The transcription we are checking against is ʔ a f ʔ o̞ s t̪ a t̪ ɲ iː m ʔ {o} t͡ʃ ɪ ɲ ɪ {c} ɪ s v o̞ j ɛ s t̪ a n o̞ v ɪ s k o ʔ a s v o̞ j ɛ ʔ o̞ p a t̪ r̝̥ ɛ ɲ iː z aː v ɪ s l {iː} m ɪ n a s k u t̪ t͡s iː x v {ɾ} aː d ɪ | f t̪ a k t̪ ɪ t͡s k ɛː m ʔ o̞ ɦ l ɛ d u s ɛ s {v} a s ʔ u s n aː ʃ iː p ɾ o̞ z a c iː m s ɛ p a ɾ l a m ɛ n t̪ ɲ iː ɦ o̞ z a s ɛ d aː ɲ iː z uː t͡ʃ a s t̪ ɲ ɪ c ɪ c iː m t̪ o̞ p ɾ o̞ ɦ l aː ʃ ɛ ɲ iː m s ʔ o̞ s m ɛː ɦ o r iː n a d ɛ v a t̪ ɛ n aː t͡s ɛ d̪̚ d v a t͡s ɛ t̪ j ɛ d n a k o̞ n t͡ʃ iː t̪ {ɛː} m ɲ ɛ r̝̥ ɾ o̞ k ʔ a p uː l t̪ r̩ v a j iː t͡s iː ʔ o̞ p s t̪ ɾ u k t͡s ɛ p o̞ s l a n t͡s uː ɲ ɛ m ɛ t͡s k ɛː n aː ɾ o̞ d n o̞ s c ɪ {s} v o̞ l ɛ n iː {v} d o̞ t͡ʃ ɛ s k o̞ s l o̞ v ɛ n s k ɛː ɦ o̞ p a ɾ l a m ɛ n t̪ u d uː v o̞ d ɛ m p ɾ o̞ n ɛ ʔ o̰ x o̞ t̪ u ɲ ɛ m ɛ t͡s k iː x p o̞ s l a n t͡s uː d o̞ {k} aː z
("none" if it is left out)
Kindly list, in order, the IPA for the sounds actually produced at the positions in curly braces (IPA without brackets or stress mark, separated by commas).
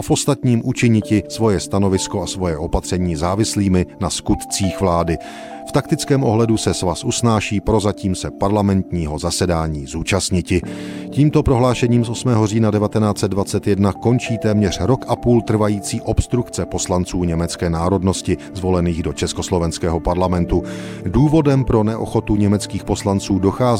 u, c, iː, l, v, ɛː, z, ɣ, x